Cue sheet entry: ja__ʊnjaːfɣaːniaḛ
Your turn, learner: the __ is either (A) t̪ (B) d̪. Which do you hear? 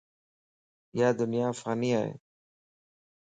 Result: B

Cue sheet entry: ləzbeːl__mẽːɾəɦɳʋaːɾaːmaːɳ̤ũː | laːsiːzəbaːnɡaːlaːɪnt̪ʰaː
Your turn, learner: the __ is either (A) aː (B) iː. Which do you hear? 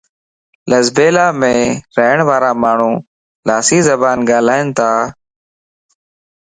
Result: A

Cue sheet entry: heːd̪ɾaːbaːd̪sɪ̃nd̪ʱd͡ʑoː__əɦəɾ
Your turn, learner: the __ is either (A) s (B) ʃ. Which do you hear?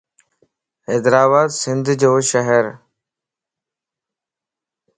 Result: B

